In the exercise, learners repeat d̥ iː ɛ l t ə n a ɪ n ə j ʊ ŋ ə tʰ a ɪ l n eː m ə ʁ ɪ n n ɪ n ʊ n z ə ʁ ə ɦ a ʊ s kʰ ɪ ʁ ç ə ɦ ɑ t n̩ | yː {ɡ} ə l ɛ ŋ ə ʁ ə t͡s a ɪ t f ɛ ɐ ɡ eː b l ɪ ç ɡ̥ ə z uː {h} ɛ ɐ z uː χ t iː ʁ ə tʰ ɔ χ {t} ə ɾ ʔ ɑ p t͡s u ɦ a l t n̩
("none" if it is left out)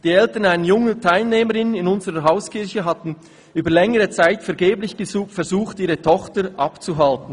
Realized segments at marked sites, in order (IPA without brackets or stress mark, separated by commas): b, f, t